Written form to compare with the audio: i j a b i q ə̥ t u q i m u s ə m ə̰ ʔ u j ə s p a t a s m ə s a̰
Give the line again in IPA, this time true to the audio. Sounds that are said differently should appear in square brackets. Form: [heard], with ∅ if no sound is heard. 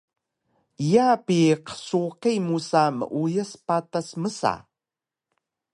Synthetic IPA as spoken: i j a [p] i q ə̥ [s] u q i m u s [a] m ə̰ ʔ u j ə s p a t a s m ə s a̰